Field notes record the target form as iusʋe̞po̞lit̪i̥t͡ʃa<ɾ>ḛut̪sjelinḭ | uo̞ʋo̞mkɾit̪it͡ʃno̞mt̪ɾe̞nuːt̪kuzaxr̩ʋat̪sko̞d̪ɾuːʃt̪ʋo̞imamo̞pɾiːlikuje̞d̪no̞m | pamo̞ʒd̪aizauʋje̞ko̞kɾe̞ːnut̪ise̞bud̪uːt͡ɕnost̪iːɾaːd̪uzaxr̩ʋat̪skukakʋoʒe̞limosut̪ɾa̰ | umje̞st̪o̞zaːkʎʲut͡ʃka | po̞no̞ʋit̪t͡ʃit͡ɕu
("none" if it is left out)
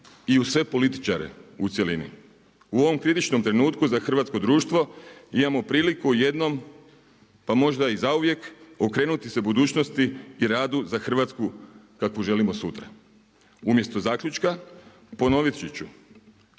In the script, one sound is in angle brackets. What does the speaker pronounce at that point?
ɾ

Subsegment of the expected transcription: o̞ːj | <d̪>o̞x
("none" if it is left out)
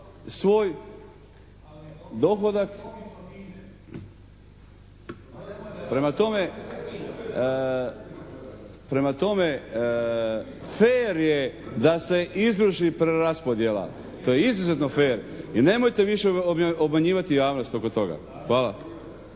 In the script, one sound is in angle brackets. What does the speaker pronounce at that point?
d̪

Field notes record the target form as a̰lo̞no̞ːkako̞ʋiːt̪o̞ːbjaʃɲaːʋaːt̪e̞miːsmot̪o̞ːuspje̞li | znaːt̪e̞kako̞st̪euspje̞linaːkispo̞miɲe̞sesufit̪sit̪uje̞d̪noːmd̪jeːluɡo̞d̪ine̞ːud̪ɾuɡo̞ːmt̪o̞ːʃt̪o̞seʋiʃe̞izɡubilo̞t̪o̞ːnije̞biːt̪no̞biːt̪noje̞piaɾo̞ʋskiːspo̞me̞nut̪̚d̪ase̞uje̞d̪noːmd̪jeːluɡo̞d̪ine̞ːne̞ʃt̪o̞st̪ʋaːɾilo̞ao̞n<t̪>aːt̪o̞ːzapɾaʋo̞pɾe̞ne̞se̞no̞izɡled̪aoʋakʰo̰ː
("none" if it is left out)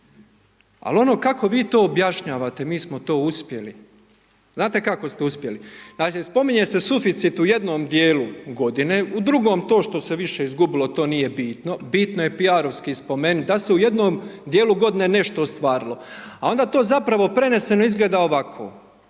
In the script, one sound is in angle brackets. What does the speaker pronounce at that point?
d̪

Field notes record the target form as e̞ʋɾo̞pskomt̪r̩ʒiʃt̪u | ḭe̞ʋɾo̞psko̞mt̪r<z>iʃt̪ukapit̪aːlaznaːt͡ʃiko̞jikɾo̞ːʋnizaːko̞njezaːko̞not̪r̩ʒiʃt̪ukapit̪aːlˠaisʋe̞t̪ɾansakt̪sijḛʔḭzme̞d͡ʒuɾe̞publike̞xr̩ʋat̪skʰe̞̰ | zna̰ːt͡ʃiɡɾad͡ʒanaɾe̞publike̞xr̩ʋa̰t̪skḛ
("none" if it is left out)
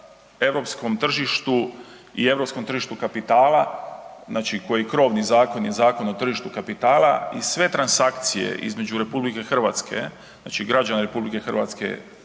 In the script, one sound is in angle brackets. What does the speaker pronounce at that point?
ʒ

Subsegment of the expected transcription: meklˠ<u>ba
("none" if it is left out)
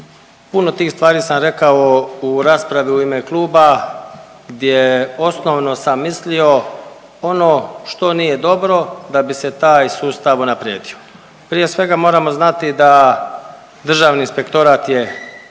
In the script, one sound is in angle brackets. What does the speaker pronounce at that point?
uː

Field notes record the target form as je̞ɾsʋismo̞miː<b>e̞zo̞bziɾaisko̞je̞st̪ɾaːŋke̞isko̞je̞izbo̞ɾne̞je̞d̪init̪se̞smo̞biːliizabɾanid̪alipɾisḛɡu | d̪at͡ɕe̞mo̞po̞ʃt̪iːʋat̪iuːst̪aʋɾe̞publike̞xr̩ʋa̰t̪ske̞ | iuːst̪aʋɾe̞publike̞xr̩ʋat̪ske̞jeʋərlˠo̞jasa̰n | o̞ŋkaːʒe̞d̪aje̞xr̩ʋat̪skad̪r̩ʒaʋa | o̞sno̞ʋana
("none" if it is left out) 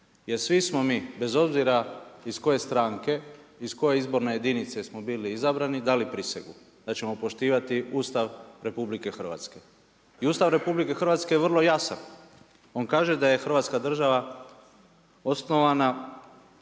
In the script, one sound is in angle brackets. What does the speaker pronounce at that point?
b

